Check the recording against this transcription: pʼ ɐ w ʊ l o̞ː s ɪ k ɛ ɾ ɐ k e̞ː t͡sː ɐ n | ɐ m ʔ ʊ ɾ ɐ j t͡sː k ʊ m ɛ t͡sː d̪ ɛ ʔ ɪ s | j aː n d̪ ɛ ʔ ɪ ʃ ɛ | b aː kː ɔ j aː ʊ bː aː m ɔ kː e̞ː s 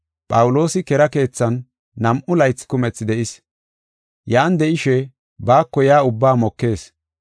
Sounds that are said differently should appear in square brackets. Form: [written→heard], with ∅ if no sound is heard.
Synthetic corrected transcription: pʼ ɐ w ʊ l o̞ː s ɪ k ɛ ɾ ɐ k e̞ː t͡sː ɐ [n→nː] | ɐ m ʔ ʊ [ɾ→l] ɐ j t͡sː k ʊ m ɛ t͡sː d̪ ɛ ʔ ɪ s | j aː n d̪ ɛ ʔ ɪ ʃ ɛ | b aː kː ɔ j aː ʊ bː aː m ɔ kː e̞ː s